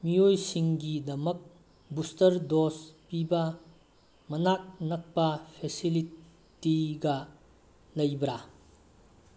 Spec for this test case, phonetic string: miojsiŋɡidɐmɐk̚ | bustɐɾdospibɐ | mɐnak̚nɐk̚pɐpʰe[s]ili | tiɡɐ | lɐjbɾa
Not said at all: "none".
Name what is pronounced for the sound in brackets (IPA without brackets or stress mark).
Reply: s